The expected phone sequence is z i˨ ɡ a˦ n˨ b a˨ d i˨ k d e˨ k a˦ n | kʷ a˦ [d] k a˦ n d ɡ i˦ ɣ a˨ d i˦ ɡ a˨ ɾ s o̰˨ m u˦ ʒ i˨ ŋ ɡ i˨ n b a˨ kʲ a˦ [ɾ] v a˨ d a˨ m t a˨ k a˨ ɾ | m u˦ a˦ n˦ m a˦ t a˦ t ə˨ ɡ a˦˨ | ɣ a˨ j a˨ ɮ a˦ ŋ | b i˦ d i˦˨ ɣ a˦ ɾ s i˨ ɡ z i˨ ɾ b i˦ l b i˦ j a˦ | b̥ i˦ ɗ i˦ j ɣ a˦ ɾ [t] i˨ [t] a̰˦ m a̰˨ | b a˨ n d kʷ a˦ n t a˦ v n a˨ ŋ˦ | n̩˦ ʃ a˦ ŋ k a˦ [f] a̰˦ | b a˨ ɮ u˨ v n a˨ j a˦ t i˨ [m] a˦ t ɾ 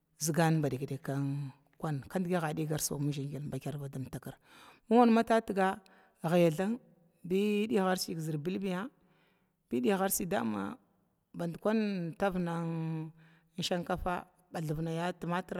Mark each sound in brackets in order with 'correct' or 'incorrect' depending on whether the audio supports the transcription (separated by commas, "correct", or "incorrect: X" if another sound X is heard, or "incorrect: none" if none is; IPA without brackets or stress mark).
incorrect: n, correct, incorrect: s, incorrect: d, correct, correct